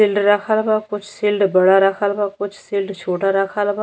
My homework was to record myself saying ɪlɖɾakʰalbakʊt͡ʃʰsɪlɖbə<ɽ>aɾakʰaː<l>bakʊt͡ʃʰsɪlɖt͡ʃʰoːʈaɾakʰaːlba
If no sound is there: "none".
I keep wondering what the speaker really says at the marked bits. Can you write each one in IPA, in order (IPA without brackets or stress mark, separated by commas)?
ɽ, l